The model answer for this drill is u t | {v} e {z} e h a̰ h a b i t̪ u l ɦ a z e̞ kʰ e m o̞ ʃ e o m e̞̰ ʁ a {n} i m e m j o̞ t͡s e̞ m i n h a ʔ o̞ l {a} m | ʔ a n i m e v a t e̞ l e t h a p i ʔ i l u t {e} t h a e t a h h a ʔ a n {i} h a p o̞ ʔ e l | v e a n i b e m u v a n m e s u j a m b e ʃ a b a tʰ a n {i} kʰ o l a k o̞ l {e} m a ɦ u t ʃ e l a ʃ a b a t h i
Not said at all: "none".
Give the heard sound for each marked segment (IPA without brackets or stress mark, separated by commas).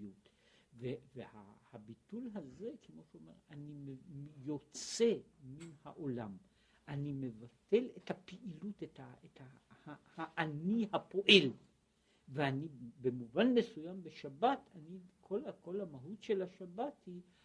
v, v, n, a, e, i, i, a